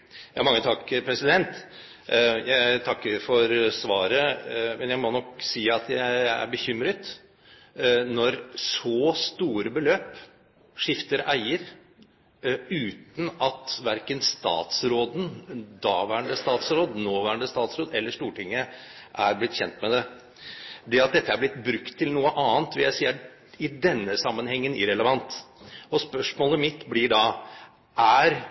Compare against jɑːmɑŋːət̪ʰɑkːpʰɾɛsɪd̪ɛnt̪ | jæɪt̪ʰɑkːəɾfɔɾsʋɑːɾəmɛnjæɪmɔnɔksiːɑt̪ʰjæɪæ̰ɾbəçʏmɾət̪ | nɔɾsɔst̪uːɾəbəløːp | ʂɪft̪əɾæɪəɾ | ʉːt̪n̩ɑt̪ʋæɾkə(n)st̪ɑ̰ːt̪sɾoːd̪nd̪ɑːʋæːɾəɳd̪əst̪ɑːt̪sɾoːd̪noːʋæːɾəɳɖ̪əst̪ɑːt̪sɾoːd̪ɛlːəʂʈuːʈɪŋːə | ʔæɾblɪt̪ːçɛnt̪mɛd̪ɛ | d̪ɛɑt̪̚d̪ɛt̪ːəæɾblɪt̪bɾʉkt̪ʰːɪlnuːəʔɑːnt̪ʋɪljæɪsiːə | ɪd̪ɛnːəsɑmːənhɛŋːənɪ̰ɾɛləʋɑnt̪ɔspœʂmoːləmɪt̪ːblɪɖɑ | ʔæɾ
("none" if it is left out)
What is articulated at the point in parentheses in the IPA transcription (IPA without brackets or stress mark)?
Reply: n